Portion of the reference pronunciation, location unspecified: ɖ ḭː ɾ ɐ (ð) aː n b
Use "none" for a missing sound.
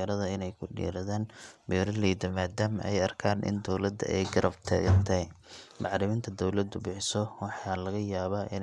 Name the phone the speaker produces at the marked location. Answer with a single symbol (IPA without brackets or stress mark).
ð